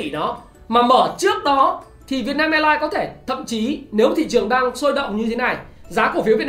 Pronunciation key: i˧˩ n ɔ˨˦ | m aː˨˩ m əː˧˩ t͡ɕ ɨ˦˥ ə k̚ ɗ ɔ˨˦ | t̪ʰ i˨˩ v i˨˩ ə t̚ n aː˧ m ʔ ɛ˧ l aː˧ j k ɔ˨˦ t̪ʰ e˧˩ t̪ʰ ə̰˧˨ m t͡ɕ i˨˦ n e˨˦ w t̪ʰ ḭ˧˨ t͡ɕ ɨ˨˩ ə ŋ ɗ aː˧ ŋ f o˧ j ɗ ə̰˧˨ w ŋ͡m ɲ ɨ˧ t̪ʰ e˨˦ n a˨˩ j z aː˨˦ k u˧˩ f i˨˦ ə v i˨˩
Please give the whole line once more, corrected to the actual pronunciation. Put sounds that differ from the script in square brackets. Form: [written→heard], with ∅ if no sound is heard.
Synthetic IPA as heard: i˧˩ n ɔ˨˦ | m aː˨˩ m əː˧˩ t͡ɕ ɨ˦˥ ə k̚ ɗ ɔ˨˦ | t̪ʰ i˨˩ v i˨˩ ə t̚ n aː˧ m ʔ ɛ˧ l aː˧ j k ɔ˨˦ t̪ʰ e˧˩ t̪ʰ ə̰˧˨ m t͡ɕ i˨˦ n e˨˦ w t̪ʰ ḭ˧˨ t͡ɕ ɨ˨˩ ə ŋ ɗ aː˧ ŋ [f→s] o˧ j ɗ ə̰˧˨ w ŋ͡m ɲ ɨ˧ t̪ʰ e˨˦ n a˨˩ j z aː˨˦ k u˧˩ f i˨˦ ə v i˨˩